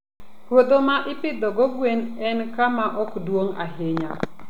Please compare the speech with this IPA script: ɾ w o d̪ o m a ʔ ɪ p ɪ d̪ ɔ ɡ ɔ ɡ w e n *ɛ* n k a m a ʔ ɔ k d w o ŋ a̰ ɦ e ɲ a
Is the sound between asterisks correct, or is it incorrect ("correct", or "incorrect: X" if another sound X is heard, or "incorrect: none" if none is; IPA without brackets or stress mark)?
correct